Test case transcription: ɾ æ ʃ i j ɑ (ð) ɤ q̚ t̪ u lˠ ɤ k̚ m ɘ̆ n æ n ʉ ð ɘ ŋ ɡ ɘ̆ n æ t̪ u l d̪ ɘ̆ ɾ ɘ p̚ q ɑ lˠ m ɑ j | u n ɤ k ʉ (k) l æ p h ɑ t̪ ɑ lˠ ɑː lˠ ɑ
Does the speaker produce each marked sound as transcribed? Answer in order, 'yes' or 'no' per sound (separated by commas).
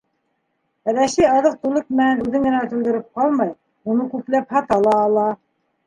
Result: yes, no